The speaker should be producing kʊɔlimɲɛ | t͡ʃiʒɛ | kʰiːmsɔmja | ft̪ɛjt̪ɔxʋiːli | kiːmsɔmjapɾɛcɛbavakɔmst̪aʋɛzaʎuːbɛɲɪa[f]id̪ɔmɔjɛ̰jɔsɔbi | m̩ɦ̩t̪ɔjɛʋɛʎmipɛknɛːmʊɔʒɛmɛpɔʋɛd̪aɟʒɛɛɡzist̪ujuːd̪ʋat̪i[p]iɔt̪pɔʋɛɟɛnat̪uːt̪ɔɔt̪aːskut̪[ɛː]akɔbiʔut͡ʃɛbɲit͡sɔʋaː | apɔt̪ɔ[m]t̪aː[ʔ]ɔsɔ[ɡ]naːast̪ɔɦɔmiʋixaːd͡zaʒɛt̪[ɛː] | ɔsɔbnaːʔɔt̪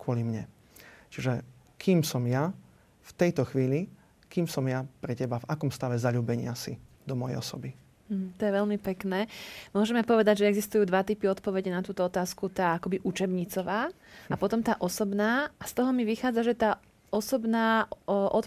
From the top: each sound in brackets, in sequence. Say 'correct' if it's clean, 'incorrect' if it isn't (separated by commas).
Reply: incorrect, correct, incorrect, correct, correct, incorrect, incorrect